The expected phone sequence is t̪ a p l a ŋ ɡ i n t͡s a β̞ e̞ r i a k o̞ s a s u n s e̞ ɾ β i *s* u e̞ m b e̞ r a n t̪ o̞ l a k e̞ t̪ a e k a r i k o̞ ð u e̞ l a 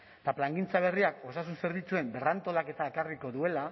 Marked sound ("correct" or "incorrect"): incorrect